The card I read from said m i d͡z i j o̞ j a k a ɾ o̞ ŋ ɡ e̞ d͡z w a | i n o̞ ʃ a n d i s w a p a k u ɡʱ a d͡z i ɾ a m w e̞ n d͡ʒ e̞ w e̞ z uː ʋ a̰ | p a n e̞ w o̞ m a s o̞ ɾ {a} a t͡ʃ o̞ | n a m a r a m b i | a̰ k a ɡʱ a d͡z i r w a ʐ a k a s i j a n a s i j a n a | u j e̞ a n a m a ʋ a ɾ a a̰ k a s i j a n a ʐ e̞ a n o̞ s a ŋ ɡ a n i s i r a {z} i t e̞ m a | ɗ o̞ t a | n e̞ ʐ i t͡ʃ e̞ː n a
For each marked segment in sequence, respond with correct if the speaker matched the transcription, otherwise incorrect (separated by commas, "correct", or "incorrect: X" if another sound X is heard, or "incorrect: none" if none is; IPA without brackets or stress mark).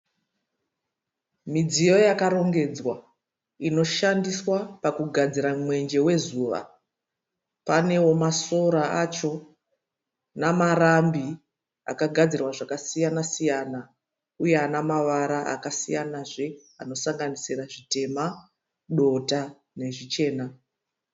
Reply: correct, incorrect: ʐ